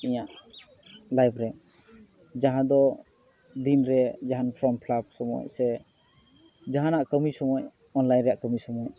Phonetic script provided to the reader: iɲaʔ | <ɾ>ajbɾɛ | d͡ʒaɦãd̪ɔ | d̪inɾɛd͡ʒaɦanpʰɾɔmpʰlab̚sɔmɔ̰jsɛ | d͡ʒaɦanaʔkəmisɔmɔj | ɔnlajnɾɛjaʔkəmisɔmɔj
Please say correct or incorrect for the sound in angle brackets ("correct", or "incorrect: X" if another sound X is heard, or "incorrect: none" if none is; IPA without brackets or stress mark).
incorrect: l